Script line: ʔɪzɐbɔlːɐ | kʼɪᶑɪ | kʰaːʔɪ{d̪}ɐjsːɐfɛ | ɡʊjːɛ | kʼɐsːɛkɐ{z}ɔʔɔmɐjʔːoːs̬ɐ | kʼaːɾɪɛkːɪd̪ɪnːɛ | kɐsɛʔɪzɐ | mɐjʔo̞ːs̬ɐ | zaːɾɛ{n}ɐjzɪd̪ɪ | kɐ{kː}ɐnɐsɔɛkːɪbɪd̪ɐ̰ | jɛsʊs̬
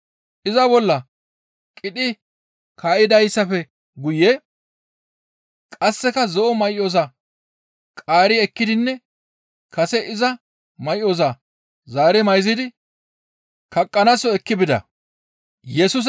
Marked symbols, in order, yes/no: yes, yes, no, no

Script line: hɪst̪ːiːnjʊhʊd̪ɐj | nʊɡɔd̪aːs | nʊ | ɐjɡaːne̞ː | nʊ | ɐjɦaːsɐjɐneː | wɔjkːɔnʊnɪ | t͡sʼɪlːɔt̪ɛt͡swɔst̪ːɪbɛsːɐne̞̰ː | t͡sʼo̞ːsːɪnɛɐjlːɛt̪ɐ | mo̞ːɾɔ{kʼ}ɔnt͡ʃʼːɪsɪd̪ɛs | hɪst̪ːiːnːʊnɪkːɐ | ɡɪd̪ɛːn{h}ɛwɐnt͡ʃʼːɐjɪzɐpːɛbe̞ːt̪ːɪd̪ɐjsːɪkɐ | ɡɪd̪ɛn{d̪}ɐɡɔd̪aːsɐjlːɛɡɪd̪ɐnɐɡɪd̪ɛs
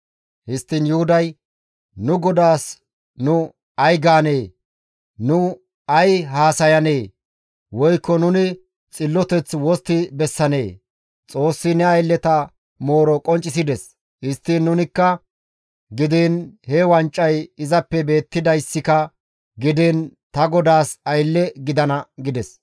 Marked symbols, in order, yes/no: yes, yes, no

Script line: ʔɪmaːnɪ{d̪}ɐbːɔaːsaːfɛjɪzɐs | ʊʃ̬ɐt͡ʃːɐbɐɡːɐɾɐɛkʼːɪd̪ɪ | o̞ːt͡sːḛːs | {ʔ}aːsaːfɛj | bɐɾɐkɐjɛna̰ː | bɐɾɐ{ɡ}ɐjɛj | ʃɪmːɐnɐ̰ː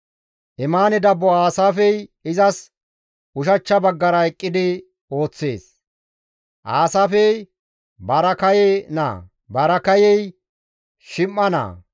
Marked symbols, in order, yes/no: yes, yes, no

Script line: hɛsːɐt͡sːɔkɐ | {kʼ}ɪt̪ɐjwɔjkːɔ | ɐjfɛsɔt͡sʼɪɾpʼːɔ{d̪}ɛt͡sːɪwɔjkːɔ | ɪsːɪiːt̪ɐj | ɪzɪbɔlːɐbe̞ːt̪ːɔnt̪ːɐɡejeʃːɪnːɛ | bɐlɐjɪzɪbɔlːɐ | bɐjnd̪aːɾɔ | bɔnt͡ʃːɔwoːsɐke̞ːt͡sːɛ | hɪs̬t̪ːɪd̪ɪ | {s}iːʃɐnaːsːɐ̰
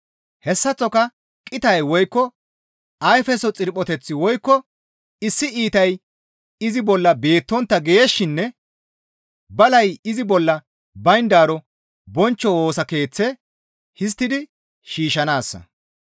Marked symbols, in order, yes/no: yes, no, no

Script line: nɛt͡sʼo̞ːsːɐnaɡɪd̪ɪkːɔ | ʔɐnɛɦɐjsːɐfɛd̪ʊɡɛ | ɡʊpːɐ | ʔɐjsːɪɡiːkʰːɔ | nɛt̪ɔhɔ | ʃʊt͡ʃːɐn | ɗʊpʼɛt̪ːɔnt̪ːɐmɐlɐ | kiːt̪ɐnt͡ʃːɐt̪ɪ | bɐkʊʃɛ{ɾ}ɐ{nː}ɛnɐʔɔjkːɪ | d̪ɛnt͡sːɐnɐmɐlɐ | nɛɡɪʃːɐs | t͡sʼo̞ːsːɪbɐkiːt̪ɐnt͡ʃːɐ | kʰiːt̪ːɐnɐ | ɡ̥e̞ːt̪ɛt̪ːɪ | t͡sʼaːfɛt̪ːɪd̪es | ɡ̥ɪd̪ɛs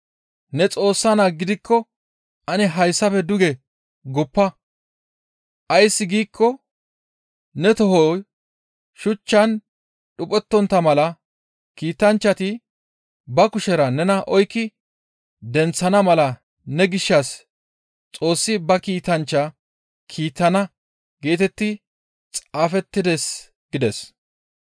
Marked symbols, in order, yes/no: yes, no

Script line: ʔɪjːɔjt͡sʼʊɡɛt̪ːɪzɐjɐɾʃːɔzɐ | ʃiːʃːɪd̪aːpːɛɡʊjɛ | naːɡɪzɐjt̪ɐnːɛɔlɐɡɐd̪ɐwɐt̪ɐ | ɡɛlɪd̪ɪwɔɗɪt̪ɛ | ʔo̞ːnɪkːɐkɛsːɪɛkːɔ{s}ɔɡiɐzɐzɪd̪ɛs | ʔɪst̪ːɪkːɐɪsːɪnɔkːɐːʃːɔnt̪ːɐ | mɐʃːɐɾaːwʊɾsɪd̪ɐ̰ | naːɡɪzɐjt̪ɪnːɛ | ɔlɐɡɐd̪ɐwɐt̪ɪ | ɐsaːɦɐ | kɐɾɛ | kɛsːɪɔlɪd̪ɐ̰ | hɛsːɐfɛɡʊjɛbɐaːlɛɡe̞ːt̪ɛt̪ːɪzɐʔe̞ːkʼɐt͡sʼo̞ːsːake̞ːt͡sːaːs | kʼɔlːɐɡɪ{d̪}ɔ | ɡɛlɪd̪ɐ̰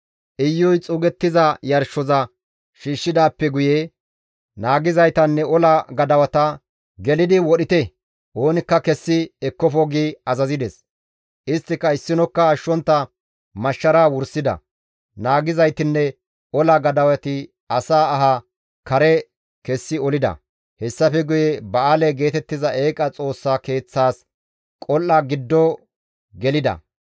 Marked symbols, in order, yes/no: no, no

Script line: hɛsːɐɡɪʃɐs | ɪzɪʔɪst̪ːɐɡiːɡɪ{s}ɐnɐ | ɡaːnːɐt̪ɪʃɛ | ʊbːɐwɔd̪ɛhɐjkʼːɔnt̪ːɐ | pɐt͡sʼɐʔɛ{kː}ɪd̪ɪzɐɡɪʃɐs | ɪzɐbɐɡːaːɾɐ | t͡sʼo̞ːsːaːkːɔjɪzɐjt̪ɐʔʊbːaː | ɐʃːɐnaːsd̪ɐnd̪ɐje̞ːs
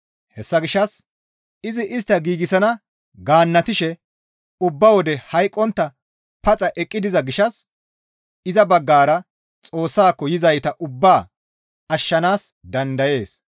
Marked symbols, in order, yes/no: yes, no

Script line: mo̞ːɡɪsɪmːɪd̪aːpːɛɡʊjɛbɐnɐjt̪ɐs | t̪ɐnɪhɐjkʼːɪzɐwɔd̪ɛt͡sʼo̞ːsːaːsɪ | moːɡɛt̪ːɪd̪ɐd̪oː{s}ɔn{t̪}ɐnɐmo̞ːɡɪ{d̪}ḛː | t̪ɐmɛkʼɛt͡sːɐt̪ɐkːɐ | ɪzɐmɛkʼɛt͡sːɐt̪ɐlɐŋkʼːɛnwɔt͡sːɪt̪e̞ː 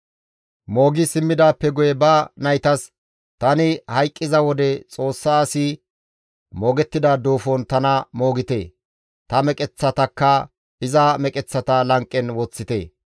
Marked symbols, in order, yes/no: no, yes, no

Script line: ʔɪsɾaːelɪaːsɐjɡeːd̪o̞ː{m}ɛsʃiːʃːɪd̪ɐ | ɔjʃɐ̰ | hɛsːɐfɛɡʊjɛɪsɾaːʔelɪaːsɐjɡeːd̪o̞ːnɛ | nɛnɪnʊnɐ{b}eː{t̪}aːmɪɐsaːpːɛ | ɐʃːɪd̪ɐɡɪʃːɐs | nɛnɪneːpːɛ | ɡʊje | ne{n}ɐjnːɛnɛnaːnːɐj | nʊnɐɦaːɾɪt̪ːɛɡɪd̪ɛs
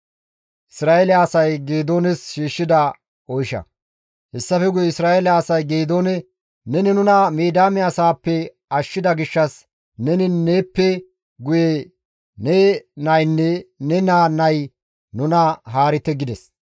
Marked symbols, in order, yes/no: no, no, no, yes

